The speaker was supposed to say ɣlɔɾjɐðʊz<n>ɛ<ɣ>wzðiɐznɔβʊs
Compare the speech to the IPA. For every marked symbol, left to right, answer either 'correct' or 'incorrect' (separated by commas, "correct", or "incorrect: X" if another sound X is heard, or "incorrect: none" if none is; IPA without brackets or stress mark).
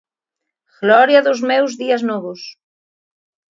incorrect: m, incorrect: none